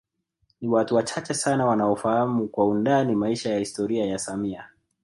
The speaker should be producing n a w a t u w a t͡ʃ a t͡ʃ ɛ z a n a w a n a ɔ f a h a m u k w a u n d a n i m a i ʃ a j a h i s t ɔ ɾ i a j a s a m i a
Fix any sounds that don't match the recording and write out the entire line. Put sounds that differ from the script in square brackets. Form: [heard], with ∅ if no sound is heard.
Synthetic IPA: n [i] w a t u w a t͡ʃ a t͡ʃ ɛ [s] a n a w a n a ɔ f a h a m u k w a u n d a n i m a i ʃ a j a h i s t ɔ ɾ i a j a s a m i a